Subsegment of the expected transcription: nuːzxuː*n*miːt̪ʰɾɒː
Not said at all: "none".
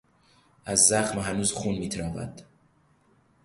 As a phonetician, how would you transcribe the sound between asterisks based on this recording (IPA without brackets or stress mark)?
n